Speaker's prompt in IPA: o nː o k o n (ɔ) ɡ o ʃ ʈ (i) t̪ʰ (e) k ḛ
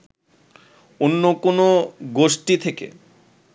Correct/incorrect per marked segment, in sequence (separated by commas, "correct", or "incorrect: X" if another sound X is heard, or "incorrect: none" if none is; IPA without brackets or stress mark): incorrect: o, correct, correct